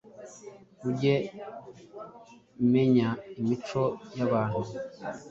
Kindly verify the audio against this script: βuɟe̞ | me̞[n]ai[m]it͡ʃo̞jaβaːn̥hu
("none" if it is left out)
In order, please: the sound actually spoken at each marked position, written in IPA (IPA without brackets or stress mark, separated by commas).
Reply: ɲ, m